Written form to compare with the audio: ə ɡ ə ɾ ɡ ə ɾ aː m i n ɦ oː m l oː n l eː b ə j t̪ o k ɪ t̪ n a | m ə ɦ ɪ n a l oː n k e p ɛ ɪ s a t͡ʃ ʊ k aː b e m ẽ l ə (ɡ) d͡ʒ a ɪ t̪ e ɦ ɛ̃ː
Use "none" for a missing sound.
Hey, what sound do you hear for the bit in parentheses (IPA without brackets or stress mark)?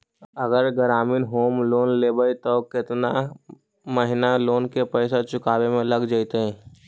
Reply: ɡ